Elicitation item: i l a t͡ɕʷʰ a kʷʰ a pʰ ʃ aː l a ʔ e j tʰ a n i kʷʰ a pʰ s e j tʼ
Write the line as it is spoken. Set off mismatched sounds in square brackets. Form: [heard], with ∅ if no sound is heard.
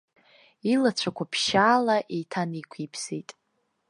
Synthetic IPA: i l a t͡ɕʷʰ a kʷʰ a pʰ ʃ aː l a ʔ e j tʰ a n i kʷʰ [i] pʰ s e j tʼ